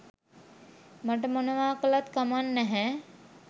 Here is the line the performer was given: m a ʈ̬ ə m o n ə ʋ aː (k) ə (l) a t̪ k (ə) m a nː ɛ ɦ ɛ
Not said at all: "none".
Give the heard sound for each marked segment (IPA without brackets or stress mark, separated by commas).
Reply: k, l, a